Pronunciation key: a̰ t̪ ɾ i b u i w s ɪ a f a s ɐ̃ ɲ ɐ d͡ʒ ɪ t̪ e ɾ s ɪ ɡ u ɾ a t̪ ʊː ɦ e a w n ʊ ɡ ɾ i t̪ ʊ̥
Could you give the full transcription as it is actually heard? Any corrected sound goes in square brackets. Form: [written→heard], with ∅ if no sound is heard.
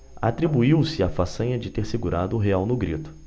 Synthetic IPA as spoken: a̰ t̪ ɾ i b u i w s ɪ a f a s ɐ̃ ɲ ɐ d͡ʒ ɪ t̪ e ɾ s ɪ ɡ u ɾ a [t̪→d̪] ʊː ɦ e a w n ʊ ɡ ɾ i t̪ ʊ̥